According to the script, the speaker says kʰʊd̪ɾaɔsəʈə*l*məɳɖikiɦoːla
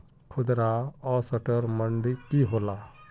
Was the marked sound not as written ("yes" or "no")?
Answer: yes